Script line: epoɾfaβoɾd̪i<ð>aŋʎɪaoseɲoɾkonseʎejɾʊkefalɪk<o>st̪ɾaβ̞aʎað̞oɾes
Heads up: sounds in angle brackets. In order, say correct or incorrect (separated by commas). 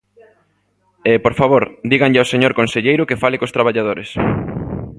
incorrect, correct